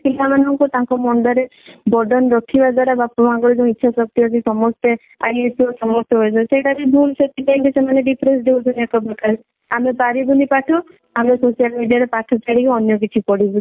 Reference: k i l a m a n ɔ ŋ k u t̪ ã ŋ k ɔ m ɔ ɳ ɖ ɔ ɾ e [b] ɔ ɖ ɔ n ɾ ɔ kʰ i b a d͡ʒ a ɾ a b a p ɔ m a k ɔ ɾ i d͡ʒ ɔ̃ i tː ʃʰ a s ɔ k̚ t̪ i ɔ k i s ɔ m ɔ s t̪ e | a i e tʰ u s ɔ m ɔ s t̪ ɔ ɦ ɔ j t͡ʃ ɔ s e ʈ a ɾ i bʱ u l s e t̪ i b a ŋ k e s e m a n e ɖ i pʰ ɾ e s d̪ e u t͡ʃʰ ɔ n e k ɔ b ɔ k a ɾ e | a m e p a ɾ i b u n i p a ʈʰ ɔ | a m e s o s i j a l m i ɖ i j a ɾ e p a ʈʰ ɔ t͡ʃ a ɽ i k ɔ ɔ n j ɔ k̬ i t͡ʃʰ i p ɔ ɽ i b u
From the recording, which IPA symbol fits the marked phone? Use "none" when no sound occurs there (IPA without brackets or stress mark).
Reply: b